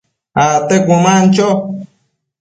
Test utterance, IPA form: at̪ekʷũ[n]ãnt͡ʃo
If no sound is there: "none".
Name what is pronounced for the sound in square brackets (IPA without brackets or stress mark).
m